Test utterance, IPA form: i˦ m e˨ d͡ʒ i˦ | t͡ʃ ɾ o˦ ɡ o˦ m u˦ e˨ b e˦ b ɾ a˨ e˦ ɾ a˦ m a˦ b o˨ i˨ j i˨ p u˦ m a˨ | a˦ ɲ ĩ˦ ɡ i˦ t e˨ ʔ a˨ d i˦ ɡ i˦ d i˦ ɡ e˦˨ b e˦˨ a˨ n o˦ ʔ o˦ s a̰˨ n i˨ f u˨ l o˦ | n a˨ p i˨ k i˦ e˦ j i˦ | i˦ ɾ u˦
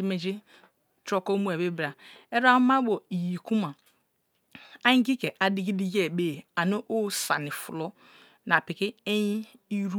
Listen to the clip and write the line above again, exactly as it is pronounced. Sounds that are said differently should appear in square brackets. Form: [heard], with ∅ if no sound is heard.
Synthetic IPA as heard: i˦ m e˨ d͡ʒ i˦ | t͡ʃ ɾ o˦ [k] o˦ m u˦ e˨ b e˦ b ɾ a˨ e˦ ɾ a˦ m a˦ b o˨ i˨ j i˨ [k] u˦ m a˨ | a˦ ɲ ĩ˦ ɡ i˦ [k] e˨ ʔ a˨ d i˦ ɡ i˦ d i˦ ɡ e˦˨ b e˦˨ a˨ n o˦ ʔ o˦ s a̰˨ n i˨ f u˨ l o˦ | n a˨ p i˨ k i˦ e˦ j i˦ | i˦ ɾ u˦